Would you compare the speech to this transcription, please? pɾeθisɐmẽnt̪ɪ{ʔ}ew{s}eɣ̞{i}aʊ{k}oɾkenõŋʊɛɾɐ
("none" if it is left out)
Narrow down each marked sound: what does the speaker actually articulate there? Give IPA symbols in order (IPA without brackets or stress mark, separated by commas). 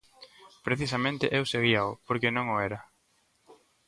ʔ, s, i, p